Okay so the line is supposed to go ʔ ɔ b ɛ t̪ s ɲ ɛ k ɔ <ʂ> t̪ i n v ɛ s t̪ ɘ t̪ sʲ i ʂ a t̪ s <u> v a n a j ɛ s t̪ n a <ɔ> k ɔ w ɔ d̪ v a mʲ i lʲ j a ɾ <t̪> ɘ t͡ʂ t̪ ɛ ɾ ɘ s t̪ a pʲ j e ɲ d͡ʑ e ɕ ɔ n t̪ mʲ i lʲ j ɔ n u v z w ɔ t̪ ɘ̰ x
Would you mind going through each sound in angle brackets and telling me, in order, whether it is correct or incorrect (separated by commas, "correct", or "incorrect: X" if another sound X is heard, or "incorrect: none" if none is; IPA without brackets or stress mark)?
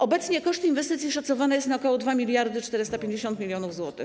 correct, incorrect: ɔ, correct, incorrect: d̪